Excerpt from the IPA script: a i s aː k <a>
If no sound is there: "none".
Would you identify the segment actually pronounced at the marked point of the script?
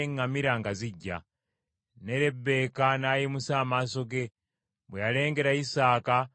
a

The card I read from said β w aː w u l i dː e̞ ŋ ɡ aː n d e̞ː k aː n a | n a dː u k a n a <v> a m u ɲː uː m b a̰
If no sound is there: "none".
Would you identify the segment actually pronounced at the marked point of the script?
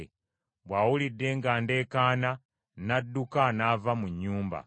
v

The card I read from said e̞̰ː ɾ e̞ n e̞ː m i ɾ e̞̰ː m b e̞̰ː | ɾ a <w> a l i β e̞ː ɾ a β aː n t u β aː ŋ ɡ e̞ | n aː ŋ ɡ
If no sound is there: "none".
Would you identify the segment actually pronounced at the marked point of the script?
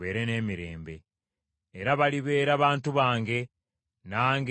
β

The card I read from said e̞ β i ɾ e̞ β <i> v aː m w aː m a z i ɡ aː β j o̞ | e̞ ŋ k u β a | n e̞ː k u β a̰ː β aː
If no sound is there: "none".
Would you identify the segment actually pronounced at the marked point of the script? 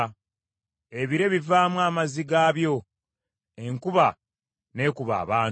i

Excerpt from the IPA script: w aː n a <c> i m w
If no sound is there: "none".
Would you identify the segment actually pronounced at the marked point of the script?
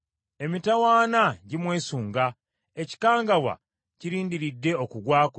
ɟ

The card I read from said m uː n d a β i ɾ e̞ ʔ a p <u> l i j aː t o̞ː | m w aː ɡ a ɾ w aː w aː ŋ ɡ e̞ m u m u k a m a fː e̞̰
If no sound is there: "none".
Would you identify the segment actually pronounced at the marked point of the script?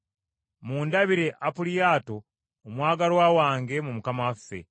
u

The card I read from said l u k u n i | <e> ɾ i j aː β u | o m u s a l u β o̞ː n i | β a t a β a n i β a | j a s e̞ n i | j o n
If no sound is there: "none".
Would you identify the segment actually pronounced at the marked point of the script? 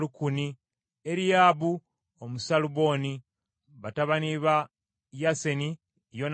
e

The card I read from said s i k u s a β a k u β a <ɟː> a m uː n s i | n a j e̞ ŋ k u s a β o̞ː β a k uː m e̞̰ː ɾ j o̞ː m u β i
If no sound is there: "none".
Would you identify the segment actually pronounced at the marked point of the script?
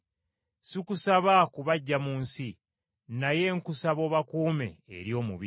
ɟː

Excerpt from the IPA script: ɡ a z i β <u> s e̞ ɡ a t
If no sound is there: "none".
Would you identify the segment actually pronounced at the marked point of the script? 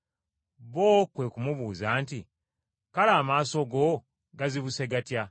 u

